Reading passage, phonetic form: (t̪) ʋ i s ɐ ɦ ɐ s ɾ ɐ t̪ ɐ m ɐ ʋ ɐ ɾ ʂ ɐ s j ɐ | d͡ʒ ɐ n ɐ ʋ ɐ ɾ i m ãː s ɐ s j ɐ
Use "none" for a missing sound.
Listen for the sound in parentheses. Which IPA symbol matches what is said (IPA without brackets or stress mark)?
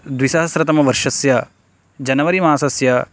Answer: d̪